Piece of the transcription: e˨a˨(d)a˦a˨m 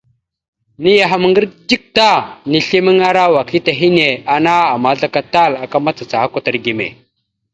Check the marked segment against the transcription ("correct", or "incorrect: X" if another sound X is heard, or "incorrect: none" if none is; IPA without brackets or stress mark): incorrect: n